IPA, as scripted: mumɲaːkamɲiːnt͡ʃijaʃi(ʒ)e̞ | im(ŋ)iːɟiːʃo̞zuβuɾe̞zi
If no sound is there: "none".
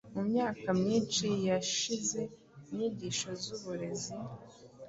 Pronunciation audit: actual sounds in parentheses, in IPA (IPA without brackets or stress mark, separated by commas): z, ɲ